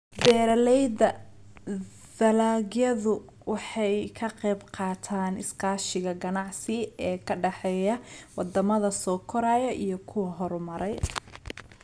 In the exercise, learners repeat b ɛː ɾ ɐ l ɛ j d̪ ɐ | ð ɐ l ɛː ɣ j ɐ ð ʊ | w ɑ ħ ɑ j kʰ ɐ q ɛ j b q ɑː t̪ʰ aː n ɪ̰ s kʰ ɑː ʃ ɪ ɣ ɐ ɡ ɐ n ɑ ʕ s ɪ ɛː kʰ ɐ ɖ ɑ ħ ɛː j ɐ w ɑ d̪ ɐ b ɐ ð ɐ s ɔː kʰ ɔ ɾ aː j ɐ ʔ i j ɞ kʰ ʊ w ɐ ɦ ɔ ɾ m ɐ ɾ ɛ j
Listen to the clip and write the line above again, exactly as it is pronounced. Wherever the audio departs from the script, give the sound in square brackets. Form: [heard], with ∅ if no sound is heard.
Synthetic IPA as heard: b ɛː ɾ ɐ l ɛ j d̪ ɐ | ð ɐ l [aː] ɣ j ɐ ð ʊ | w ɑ ħ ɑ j kʰ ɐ q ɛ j b q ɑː t̪ʰ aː n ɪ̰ s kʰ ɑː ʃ ɪ ɣ ɐ ɡ ɐ n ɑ ʕ s ɪ ɛː kʰ ɐ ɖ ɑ ħ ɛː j ɐ w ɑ d̪ ɐ [m] ɐ ð ɐ s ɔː kʰ ɔ ɾ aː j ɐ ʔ i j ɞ kʰ ʊ w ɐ ɦ ɔ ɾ m ɐ ɾ ɛ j